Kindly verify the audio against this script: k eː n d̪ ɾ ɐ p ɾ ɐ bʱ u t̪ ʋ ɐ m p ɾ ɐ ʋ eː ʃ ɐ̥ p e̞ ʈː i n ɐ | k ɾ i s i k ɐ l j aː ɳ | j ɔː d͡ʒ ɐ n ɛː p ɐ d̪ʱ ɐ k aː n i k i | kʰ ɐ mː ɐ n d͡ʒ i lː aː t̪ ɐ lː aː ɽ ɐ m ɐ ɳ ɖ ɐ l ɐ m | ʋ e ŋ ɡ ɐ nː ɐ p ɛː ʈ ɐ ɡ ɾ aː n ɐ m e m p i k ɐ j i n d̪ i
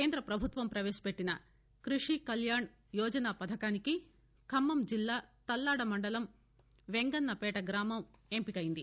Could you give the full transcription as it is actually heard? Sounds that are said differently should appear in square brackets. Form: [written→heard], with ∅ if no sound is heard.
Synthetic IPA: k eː n d̪ ɾ ɐ p ɾ ɐ bʱ u t̪ ʋ ɐ m p ɾ ɐ ʋ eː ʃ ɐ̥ p e̞ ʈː i n ɐ | k ɾ i [s→ʂ] i k ɐ l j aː ɳ | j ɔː d͡ʒ ɐ n [ɛː→aː] p ɐ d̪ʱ ɐ k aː n i k i | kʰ ɐ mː ɐ [n→m] d͡ʒ i lː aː t̪ ɐ lː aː ɽ ɐ m ɐ ɳ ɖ ɐ l ɐ m | ʋ e ŋ ɡ ɐ nː ɐ p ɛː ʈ ɐ ɡ ɾ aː [n→m] ɐ m e m p i k ɐ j i n d̪ i

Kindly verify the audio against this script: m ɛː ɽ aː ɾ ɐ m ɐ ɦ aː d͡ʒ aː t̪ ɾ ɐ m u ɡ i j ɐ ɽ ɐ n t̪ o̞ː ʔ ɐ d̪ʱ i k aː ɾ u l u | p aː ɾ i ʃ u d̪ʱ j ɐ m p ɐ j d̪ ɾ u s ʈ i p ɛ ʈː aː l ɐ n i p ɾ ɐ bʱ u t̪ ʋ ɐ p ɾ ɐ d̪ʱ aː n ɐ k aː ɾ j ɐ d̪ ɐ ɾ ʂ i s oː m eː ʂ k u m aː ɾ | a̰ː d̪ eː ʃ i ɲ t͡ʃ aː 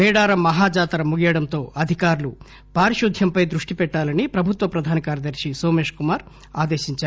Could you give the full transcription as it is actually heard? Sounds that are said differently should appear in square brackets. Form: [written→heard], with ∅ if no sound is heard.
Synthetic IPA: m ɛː ɽ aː ɾ ɐ m ɐ ɦ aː d͡ʒ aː t̪ ɾ ɐ m u ɡ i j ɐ ɽ ɐ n t̪ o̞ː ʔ ɐ d̪ʱ i k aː ɾ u l u | p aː ɾ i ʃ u d̪ʱ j ɐ m p ɐ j d̪ ɾ u [s→ʂ] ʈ i p ɛ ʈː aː l ɐ n i p ɾ ɐ bʱ u t̪ ʋ ɐ p ɾ ɐ d̪ʱ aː n ɐ k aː ɾ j ɐ d̪ ɐ ɾ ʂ i s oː m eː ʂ k u m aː ɾ | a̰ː d̪ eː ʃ i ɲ t͡ʃ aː

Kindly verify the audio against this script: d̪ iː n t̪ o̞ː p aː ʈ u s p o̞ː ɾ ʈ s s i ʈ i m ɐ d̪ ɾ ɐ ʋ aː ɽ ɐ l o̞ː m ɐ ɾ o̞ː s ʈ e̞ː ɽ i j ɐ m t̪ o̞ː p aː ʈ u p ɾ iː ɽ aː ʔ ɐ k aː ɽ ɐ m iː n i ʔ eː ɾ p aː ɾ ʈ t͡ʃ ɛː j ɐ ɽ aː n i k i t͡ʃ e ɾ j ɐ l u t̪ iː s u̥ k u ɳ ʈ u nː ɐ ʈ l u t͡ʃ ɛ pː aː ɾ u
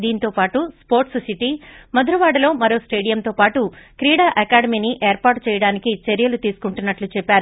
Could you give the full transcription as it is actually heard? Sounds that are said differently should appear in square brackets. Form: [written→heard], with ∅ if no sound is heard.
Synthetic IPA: d̪ iː n t̪ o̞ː p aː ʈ u s p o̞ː ɾ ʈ s s i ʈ i m ɐ d̪ ɾ ɐ ʋ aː ɽ ɐ l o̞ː m ɐ ɾ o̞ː s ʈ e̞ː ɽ i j ɐ m t̪ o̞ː p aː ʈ u [p→k] ɾ iː ɽ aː ʔ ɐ k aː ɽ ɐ m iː n i ʔ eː ɾ p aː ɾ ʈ t͡ʃ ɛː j ɐ ɽ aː n i k i t͡ʃ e ɾ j ɐ l u t̪ iː s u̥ k u ɳ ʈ u nː ɐ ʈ l u t͡ʃ ɛ pː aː ɾ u

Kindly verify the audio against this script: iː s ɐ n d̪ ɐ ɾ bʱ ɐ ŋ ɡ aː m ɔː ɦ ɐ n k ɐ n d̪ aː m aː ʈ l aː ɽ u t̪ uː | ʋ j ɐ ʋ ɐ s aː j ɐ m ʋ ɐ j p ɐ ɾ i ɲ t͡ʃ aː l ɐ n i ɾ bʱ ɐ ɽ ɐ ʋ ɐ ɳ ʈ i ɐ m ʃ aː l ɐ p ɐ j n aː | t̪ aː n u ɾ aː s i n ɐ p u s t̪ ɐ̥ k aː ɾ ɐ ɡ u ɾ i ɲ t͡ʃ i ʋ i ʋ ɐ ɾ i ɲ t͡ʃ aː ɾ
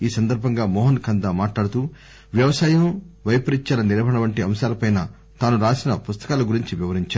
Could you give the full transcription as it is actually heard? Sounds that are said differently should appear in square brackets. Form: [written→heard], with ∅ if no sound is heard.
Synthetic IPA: iː s ɐ n d̪ ɐ ɾ bʱ ɐ ŋ ɡ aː m ɔː ɦ ɐ n k ɐ n d̪ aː m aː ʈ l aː ɽ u t̪ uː | ʋ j ɐ ʋ ɐ s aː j ɐ m ʋ ɐ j p ɐ ɾ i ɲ t͡ʃ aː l ɐ n i ɾ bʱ ɐ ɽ ɐ ʋ ɐ ɳ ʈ i ɐ m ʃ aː l ɐ p ɐ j n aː | t̪ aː n u ɾ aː s i n ɐ p u s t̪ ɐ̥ k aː [ɾ→l] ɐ ɡ u ɾ i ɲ t͡ʃ i ʋ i ʋ ɐ ɾ i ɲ t͡ʃ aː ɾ

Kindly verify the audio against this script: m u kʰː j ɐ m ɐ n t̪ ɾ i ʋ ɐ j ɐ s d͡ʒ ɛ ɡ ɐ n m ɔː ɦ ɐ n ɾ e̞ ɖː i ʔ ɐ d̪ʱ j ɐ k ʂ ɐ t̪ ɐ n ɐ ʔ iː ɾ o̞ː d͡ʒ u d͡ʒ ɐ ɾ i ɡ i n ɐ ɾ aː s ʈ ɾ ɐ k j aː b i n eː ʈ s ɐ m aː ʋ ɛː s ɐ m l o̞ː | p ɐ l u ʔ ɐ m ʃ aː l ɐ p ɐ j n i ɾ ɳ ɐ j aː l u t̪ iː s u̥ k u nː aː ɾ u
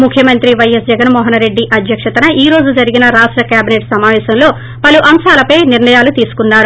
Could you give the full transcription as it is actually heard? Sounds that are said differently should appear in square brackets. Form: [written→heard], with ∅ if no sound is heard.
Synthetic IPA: m u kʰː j ɐ m ɐ n t̪ ɾ i ʋ ɐ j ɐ s d͡ʒ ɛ ɡ ɐ n m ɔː ɦ ɐ n ɾ e̞ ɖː i ʔ ɐ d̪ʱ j ɐ k ʂ ɐ t̪ ɐ n ɐ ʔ iː ɾ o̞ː d͡ʒ u d͡ʒ ɐ ɾ i ɡ i n ɐ ɾ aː [s→ʂ] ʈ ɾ ɐ k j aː b i n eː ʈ s ɐ m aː ʋ ɛː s ɐ m l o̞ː | p ɐ l u ʔ ɐ m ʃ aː l ɐ p ɐ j n i ɾ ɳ ɐ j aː l u t̪ iː s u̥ k u nː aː ɾ u

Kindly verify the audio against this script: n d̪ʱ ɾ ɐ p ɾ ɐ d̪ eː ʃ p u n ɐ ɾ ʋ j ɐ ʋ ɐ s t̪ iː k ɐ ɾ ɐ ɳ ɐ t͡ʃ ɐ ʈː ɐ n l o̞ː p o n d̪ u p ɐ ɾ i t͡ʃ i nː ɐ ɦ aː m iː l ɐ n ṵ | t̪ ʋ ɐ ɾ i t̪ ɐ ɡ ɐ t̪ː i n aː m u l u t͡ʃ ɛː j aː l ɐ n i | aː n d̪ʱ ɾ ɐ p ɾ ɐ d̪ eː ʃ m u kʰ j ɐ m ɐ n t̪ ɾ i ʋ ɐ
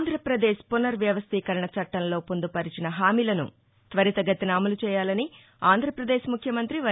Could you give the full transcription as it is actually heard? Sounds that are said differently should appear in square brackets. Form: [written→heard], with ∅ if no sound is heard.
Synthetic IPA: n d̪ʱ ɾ ɐ p ɾ ɐ d̪ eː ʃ p u n ɐ ɾ ʋ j ɐ ʋ ɐ s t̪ iː k ɐ ɾ ɐ ɳ ɐ t͡ʃ ɐ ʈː ɐ n l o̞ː p o n d̪ u p ɐ ɾ i t͡ʃ i [nː→n] ɐ ɦ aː m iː l ɐ n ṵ | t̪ ʋ ɐ ɾ i t̪ ɐ ɡ ɐ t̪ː i n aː m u l u t͡ʃ ɛː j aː l ɐ n i | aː n d̪ʱ ɾ ɐ p ɾ ɐ d̪ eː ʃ m u kʰ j ɐ m ɐ n t̪ ɾ i ʋ ɐ

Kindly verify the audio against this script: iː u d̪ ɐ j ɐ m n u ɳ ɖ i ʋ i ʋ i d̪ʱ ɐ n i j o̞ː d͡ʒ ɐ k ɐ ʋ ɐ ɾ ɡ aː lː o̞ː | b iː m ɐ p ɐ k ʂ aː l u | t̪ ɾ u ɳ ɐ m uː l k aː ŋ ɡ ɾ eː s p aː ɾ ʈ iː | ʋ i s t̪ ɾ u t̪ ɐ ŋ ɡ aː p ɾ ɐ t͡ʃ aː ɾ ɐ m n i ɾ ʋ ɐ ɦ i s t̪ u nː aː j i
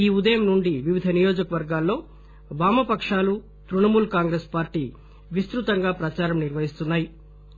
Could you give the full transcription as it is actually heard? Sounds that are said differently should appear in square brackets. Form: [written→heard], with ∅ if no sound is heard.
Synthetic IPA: iː u d̪ ɐ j ɐ m n u ɳ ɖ i ʋ i ʋ i d̪ʱ ɐ n i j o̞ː d͡ʒ ɐ k ɐ ʋ ɐ ɾ ɡ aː lː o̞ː | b [iː→aː] m ɐ p ɐ k ʂ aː l u | t̪ ɾ u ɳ ɐ m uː l k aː ŋ ɡ ɾ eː s p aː ɾ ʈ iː | ʋ i s t̪ ɾ u t̪ ɐ ŋ ɡ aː p ɾ ɐ t͡ʃ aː ɾ ɐ m n i ɾ ʋ ɐ ɦ i s t̪ u nː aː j i

